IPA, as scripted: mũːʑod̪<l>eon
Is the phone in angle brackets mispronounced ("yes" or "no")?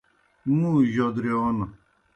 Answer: yes